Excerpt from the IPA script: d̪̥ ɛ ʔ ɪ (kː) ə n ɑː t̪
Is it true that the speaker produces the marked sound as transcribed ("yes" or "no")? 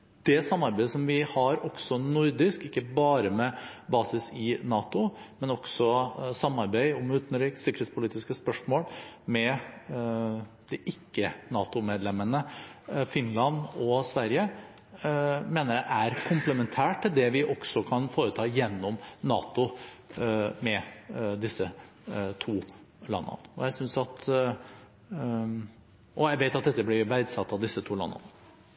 yes